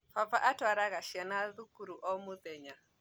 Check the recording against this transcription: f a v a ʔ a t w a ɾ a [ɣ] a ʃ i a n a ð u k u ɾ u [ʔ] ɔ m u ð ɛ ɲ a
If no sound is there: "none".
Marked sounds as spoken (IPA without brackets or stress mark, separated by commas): ɣ, ʔ